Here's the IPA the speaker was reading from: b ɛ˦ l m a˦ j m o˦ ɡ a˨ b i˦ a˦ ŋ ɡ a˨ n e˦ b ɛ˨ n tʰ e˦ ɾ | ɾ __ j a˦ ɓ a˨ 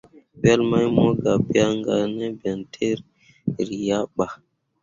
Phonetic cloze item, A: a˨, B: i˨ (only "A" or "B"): B